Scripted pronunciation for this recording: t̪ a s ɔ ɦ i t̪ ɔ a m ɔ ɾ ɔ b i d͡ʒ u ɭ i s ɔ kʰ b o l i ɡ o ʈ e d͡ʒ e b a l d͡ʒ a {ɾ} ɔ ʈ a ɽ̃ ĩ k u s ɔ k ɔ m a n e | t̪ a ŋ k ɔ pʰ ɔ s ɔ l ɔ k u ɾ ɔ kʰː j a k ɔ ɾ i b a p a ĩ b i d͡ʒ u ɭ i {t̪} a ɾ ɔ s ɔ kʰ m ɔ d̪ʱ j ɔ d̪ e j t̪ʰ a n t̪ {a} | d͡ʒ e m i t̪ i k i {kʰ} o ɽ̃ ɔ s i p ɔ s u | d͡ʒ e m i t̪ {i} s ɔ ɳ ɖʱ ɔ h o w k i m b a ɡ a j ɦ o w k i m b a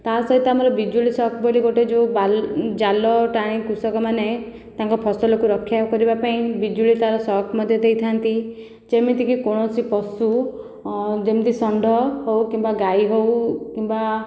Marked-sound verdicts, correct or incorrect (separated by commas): incorrect, correct, incorrect, incorrect, correct